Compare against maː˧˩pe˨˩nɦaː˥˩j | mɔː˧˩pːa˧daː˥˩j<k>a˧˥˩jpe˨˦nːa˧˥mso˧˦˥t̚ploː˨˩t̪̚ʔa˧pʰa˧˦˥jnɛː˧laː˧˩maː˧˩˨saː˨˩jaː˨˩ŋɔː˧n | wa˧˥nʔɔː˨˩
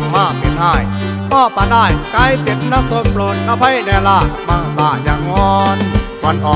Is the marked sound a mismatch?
no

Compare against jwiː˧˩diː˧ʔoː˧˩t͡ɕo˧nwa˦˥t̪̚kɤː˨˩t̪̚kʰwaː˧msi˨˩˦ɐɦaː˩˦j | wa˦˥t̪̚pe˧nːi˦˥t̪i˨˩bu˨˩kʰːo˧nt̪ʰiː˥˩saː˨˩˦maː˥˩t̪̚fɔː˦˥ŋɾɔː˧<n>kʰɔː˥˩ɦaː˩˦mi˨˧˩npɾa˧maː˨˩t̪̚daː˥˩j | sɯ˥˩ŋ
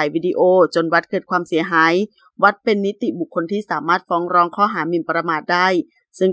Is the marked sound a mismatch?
yes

